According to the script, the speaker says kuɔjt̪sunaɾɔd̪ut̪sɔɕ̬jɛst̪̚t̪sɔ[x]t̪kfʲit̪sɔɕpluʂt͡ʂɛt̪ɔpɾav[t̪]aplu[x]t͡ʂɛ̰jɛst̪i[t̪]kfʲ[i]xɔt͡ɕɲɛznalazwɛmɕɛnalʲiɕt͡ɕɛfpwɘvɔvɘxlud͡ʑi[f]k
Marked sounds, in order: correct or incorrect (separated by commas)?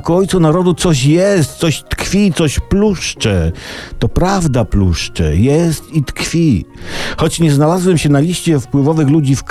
incorrect, incorrect, incorrect, correct, correct, correct